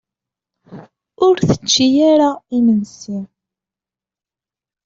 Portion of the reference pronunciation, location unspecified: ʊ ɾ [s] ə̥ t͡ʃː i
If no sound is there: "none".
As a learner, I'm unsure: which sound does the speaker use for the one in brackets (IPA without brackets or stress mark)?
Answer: θ